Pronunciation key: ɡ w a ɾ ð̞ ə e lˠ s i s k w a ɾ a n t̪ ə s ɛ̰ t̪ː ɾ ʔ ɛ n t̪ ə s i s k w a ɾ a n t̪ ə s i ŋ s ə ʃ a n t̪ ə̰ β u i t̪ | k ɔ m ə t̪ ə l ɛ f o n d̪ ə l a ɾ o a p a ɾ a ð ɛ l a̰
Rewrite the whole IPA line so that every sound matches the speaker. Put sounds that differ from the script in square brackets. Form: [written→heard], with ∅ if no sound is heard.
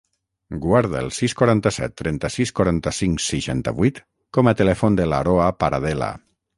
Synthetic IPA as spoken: ɡ w a ɾ ð̞ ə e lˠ s i s k w a ɾ a n t̪ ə s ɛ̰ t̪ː ɾ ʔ ɛ n t̪ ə s i s k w a ɾ a n t̪ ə s i ŋ s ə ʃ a n t̪ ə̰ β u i t̪ | k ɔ m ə t̪ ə l ɛ f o n d̪ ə l a ɾ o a p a ɾ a ð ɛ l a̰